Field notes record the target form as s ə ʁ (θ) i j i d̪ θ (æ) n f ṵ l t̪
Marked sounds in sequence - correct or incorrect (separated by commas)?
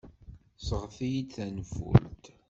incorrect, correct